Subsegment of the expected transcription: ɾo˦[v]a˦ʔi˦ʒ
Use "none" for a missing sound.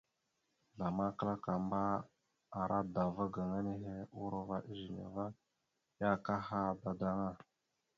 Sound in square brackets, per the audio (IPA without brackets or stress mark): v